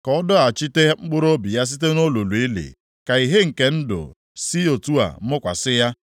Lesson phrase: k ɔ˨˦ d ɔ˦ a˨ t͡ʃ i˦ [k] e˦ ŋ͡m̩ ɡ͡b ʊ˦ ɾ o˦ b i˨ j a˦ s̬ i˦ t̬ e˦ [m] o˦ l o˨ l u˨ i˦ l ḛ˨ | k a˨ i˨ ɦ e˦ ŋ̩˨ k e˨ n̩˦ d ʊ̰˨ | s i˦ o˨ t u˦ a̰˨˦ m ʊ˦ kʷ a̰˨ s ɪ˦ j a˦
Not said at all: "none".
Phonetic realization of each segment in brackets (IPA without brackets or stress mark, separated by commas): t, n